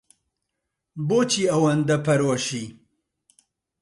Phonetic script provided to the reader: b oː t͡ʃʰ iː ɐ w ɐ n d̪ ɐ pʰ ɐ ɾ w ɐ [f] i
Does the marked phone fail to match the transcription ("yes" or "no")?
yes